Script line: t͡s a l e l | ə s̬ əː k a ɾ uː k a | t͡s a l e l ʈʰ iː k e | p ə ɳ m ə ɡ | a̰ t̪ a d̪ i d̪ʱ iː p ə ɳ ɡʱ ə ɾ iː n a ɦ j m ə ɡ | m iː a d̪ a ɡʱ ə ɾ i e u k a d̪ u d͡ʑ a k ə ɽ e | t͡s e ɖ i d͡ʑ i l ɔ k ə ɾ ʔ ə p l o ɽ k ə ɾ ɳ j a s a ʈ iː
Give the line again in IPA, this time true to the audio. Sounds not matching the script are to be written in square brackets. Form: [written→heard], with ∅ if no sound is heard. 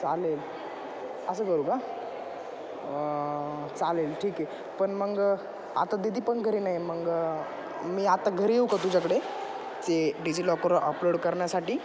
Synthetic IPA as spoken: t͡s a l e l | ə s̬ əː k [a→ə] ɾ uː k a | t͡s a l e l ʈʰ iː k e | p ə ɳ m ə ɡ | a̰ t̪ a d̪ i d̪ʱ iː p ə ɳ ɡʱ ə ɾ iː n a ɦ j m ə ɡ | m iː a [d̪→t̪] a ɡʱ ə ɾ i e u k a [d̪→t̪] u d͡ʑ a k ə ɽ e | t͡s e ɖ i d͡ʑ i l ɔ k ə ɾ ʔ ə p l o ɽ k ə ɾ ɳ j a s a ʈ iː